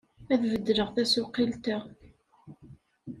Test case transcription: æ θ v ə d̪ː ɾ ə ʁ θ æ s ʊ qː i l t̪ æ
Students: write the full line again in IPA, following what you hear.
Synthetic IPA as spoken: æ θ v ə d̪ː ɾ ə ʁ θ æ s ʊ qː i l t̪ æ